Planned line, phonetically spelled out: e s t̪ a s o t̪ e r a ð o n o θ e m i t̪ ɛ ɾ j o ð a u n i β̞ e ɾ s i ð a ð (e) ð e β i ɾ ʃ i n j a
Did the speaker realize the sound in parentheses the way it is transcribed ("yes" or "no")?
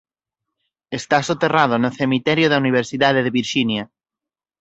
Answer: yes